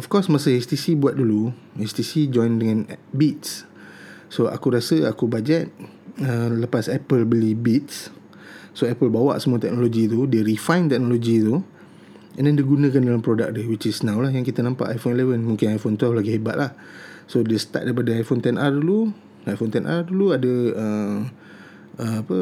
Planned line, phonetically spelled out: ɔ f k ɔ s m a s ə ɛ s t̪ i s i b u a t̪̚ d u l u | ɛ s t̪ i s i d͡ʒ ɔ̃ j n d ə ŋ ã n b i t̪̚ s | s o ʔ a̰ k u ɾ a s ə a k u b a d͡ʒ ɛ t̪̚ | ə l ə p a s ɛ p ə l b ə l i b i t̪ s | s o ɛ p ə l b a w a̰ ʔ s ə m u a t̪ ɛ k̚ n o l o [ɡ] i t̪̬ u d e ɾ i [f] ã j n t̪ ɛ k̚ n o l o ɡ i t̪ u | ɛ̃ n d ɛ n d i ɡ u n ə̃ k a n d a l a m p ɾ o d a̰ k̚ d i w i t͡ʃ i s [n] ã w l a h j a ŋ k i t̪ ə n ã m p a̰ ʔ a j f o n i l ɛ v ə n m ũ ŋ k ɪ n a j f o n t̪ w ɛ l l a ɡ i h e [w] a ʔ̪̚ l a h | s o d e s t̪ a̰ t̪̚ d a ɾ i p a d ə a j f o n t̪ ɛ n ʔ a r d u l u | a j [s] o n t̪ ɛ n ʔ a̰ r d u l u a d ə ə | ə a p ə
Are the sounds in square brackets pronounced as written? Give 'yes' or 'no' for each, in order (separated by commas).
yes, yes, yes, no, no